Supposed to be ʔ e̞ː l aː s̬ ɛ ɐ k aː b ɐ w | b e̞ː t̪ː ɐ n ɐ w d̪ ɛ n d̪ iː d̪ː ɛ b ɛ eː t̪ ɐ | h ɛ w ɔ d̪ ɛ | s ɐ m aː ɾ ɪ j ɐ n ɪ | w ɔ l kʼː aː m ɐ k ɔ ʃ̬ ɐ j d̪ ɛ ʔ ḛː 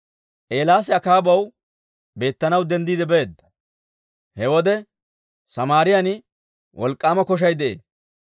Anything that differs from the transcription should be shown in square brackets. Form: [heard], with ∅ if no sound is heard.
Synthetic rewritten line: ʔ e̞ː l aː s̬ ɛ ɐ k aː b ɐ w | b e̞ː t̪ː ɐ n ɐ w d̪ ɛ n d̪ iː [d̪] ɛ b ɛ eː [d̪] ɐ | h ɛ w ɔ d̪ ɛ | s ɐ m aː ɾ ɪ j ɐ n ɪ | w ɔ l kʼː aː m ɐ k ɔ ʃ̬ ɐ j d̪ ɛ ʔ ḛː

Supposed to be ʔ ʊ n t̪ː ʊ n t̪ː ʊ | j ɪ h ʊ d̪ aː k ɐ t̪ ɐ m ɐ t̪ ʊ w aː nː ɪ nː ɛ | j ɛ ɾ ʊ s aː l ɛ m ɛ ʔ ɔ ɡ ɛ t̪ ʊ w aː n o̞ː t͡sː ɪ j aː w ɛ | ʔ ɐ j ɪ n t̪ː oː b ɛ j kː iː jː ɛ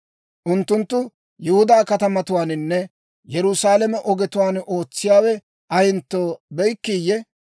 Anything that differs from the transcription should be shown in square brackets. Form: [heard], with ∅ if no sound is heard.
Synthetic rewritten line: ʔ ʊ n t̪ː ʊ n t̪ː ʊ | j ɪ h ʊ d̪ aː k ɐ t̪ ɐ m ɐ t̪ ʊ w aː [n] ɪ nː ɛ | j ɛ ɾ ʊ s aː l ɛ m ɛ ʔ ɔ ɡ ɛ t̪ ʊ w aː n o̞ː t͡sː ɪ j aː w ɛ | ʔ ɐ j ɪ n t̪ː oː b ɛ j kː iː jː ɛ

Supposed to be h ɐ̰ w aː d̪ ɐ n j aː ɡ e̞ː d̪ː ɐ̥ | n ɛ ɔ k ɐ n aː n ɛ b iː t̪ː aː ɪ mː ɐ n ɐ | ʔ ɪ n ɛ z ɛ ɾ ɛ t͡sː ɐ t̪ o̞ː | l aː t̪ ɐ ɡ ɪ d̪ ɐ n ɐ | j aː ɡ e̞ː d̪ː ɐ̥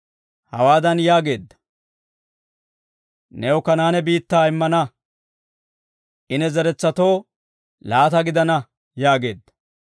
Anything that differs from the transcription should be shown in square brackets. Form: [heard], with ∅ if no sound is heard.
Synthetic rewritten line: h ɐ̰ w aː d̪ ɐ n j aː ɡ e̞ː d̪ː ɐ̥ | n ɛ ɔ k ɐ n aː n ɛ b iː t̪ː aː ɪ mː ɐ n ɐ | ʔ ɪ n ɛ z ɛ ɾ ɛ t͡sː ɐ t̪ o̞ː | l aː t̪ ɐ ɡ ɪ d̪ ɐ n ɐ | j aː ɡ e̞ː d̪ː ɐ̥

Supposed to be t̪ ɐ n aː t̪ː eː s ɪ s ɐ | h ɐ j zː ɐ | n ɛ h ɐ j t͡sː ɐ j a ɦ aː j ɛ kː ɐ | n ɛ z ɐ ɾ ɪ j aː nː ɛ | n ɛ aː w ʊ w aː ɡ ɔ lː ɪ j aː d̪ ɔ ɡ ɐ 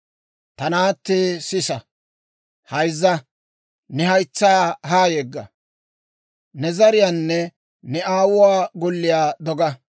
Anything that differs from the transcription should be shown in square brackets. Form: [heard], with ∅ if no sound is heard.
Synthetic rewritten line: t̪ ɐ n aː t̪ː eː s ɪ s ɐ | h ɐ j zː ɐ | n ɛ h ɐ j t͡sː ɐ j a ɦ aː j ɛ [ɡː] ɐ | n ɛ z ɐ ɾ ɪ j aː nː ɛ | n ɛ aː w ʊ w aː ɡ ɔ lː ɪ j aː d̪ ɔ ɡ ɐ

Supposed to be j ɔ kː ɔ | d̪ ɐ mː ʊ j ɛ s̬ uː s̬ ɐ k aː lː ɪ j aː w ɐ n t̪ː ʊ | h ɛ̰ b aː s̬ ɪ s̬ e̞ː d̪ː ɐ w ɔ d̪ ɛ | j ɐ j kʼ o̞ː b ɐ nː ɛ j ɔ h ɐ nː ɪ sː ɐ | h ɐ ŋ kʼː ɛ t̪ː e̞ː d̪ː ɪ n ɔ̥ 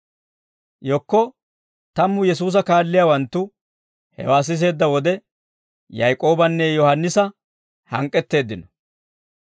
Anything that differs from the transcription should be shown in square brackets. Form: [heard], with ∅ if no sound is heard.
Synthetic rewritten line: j ɔ kː ɔ | [t̪] ɐ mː ʊ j ɛ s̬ uː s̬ ɐ k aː lː ɪ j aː w ɐ n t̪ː ʊ | h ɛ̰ [w] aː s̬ ɪ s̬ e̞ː d̪ː ɐ w ɔ d̪ ɛ | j ɐ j kʼ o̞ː b ɐ nː ɛ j ɔ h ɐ nː ɪ [s] ɐ | h ɐ ŋ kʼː ɛ t̪ː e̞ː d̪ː ɪ n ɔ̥

